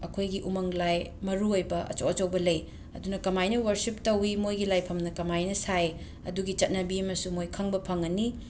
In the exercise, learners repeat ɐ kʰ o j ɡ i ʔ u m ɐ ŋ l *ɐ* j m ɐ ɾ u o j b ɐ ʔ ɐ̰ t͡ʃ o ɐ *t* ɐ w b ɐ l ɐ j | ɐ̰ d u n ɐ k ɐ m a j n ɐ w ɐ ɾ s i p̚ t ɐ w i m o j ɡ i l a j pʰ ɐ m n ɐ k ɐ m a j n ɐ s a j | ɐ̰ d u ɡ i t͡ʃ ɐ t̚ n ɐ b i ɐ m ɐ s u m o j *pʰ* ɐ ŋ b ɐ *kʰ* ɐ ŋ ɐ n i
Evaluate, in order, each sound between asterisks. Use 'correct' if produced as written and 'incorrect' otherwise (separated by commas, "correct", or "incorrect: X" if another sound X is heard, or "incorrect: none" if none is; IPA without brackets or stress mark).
incorrect: a, incorrect: t͡ʃ, incorrect: kʰ, incorrect: pʰ